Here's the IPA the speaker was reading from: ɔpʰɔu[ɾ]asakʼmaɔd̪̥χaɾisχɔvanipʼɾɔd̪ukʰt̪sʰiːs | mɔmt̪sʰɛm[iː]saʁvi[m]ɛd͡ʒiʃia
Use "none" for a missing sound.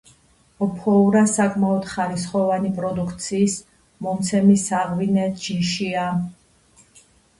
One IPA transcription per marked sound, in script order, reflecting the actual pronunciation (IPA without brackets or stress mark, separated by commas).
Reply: ɾ, i, n